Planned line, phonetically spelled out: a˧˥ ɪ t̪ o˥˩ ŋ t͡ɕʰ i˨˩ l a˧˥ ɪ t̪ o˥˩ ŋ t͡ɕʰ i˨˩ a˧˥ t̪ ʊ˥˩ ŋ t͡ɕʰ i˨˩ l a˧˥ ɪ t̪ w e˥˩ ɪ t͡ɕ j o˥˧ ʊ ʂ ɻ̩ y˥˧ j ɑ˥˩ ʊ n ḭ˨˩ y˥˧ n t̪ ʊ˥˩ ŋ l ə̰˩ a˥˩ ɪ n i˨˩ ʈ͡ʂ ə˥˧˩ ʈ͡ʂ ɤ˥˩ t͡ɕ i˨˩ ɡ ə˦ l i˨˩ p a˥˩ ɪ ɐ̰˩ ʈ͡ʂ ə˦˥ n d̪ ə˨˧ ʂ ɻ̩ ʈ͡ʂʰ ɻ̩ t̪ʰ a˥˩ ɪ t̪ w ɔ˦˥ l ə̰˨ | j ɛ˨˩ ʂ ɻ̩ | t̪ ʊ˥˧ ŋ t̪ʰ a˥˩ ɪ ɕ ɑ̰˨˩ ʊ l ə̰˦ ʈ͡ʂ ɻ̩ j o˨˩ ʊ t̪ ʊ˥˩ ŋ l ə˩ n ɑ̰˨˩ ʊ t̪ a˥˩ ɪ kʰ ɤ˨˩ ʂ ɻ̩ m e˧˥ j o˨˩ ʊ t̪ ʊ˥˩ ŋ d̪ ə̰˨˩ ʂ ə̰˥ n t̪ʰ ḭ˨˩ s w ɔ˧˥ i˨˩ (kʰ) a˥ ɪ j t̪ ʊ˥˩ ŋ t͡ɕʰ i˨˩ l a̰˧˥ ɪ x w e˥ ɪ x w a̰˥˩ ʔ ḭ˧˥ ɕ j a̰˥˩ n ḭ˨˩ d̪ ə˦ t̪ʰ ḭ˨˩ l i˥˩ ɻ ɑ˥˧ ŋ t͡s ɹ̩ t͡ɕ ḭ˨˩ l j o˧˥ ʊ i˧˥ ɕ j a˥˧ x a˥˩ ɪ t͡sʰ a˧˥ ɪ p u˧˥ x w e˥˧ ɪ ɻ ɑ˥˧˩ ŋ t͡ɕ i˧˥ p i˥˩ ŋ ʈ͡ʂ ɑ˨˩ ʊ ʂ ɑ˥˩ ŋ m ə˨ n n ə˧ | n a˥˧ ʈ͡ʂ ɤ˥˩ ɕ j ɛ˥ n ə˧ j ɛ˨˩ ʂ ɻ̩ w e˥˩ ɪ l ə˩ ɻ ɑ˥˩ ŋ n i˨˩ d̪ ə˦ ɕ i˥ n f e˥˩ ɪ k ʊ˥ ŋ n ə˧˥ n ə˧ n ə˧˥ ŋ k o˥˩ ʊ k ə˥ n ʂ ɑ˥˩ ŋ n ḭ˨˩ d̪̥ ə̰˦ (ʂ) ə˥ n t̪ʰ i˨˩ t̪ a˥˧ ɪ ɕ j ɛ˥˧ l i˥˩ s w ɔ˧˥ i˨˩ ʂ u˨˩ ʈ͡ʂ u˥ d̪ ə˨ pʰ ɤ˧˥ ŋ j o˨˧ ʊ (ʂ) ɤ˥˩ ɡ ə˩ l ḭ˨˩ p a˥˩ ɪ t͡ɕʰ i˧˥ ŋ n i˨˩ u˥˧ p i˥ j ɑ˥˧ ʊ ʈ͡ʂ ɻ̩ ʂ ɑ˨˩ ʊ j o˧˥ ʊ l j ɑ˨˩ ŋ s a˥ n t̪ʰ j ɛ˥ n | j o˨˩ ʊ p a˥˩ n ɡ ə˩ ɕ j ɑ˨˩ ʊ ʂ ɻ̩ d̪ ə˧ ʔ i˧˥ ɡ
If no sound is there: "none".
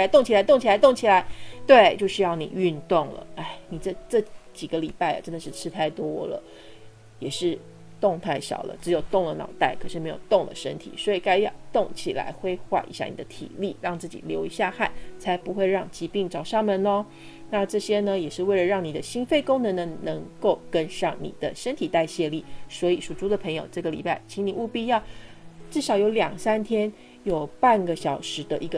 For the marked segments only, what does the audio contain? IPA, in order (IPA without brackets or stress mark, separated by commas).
k, ʂ, ʈ͡ʂ